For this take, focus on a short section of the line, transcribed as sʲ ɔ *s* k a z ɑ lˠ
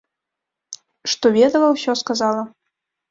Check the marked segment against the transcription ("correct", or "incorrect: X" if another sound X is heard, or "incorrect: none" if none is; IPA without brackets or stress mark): correct